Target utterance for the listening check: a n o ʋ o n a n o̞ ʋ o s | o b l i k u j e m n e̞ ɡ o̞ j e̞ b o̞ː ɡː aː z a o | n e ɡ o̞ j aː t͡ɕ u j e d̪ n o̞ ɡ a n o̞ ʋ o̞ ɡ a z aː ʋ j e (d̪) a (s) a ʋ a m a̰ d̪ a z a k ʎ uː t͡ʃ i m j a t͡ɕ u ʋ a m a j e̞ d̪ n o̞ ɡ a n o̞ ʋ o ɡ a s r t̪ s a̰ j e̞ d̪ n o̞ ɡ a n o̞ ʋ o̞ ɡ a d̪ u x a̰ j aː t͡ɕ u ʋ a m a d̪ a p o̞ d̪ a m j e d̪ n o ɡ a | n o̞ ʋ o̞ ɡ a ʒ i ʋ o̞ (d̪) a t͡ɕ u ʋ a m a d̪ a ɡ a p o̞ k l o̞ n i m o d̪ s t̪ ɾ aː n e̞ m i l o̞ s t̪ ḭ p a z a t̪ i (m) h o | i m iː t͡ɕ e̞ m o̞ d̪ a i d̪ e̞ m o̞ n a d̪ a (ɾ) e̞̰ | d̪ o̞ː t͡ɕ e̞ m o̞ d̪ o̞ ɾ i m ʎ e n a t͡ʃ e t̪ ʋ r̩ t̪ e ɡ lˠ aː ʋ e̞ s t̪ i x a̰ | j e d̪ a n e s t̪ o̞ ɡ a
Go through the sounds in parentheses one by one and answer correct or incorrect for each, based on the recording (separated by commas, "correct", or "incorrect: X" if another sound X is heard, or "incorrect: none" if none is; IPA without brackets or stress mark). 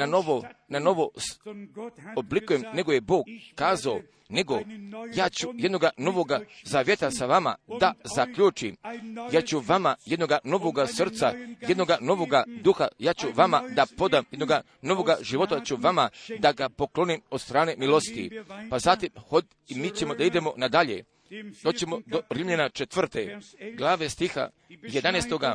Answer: incorrect: t̪, correct, incorrect: t̪, correct, incorrect: ʎ